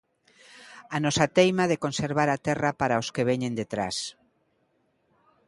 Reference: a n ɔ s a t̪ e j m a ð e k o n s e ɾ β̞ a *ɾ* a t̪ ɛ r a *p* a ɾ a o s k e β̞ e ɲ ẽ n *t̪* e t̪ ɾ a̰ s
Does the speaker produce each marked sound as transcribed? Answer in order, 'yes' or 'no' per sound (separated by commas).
yes, yes, no